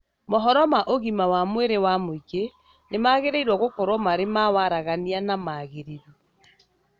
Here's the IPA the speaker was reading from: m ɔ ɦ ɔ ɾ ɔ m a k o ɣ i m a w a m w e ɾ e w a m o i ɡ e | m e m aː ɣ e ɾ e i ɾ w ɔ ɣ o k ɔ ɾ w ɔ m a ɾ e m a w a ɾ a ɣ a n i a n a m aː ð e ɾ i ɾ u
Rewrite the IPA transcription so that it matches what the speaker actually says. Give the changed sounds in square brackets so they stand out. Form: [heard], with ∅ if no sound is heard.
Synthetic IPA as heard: m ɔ ɦ ɔ ɾ ɔ m a [ʔ] o ɣ i m a w a m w e ɾ e w a m o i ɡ e | [n] e m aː ɣ e ɾ e i ɾ w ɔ ɣ o k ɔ ɾ w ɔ m a ɾ e m a w a ɾ a ɣ a n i a n a m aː [ɣ] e ɾ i ɾ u

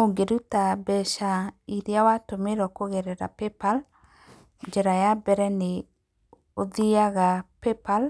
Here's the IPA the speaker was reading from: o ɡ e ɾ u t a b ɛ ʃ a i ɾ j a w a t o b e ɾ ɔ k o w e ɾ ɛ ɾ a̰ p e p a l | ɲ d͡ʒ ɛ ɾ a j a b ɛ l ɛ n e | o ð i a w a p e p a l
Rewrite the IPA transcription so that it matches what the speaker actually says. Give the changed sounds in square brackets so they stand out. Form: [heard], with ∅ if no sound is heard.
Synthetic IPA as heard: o ɡ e ɾ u t a b ɛ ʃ a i ɾ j a w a t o [m] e ɾ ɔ k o [ɣ] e ɾ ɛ ɾ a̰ p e p a l | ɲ d͡ʒ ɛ ɾ a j a b ɛ [ɾ] ɛ n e | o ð i a [ɣ] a p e p a l

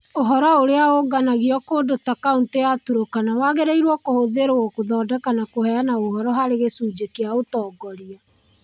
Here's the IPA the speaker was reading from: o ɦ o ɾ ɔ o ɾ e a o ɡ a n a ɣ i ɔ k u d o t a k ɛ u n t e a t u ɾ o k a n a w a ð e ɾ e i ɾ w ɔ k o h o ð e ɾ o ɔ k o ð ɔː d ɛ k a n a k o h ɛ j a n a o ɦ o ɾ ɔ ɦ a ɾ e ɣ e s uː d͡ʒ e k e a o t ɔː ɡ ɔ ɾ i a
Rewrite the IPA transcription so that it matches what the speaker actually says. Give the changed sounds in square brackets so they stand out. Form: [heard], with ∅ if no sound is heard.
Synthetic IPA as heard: o ɦ [ɔ] ɾ ɔ o ɾ e a o ɡ a n a ɣ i ɔ k [o] d o t a k [a] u n t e a t u ɾ o k a n a w a [ɣ] e ɾ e i ɾ w ɔ k o h o ð e ɾ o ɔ k o ð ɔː d ɛ k a n a k o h ɛ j a n a o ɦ [ɔ] ɾ ɔ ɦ a ɾ e ɣ e s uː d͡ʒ e k e a o t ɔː ɡ ɔ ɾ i a

